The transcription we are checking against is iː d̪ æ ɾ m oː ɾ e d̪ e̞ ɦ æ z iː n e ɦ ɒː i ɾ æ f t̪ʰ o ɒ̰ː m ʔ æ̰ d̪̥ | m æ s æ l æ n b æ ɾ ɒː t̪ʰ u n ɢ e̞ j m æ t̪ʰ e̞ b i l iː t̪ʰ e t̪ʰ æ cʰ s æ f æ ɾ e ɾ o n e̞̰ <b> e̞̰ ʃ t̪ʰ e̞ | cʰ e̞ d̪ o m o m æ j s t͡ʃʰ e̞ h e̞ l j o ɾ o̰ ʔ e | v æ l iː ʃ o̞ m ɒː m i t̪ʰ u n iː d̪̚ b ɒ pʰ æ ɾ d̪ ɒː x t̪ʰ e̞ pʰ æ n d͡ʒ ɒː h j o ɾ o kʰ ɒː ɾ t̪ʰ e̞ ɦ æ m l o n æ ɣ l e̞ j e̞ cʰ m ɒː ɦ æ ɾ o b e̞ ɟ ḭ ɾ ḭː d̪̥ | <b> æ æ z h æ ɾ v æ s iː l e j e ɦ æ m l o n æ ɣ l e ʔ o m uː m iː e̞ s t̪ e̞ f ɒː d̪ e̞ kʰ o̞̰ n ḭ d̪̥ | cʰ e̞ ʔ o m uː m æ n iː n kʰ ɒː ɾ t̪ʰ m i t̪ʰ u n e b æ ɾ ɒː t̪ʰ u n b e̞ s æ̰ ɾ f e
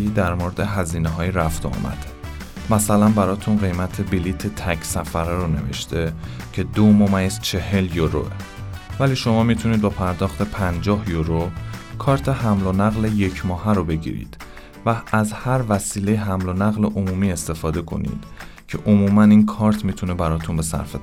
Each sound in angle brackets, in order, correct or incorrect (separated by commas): incorrect, incorrect